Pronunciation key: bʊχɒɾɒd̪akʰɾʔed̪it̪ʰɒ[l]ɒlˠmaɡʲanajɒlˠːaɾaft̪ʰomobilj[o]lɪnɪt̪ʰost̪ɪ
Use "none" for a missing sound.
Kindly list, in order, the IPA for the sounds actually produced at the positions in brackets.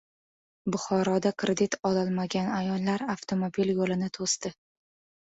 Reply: l, o

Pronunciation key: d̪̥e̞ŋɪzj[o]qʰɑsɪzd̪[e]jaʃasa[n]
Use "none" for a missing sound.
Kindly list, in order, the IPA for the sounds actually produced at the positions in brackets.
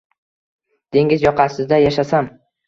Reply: ɒ, a, m

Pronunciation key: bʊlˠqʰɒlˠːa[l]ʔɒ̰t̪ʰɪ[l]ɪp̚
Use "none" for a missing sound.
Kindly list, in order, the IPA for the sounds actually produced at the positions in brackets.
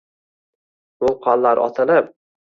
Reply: ɾ, l

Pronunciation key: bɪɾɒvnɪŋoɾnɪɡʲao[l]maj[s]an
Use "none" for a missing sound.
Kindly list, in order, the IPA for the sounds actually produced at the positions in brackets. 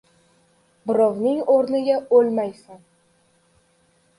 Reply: l, s

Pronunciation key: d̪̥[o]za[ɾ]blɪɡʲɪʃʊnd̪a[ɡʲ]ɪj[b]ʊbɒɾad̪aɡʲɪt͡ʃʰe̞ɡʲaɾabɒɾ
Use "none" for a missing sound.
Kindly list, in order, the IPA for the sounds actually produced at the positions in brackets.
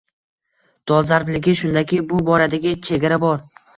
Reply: ɒ, ɾ, kʲ, b

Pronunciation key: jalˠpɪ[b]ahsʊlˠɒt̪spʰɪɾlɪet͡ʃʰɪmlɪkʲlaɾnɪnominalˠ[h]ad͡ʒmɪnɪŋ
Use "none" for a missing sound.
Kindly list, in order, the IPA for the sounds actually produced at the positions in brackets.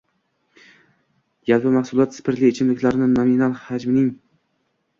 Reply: m, h

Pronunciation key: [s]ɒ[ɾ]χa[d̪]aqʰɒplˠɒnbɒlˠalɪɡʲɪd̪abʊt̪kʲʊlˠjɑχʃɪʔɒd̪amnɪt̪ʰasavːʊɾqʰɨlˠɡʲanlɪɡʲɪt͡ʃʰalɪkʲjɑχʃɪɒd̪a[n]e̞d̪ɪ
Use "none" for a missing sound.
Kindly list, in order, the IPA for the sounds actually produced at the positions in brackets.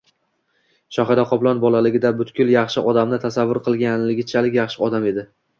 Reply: ʃ, none, d̪, m

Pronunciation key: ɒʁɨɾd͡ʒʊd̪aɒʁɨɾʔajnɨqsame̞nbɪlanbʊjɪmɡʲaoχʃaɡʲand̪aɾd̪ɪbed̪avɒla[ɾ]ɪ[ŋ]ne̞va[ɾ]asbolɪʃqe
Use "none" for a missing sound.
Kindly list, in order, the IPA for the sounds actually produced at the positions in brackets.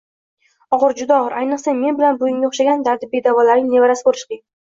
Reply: ɾ, ŋ, ɾ

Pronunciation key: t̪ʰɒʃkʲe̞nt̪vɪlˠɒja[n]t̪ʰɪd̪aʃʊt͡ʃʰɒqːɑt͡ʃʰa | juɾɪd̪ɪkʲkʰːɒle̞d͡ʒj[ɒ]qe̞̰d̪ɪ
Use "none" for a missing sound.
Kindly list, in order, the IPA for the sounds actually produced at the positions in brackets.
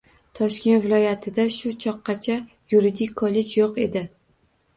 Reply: none, o

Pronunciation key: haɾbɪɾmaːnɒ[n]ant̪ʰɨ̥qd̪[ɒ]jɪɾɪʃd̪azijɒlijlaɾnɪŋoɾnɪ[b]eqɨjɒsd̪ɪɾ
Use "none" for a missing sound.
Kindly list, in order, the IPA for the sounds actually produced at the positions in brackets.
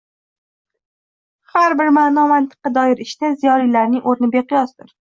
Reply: m, ɒ, b

